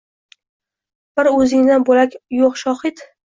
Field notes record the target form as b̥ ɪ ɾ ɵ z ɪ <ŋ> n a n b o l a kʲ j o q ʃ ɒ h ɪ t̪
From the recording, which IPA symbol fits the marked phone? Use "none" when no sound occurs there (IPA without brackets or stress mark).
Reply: ŋ